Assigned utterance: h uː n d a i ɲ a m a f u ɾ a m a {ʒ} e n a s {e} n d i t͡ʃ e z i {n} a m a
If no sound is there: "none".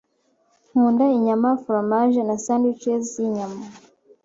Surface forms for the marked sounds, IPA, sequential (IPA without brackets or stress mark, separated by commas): ʒ, a, ɲ